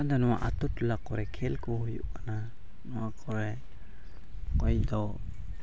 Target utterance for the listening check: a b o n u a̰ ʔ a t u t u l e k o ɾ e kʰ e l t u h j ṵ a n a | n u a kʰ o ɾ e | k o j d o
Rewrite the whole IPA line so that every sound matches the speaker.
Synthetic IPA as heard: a d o n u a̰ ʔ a t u t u l a k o ɾ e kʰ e l k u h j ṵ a n a | n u a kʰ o ɾ e | k o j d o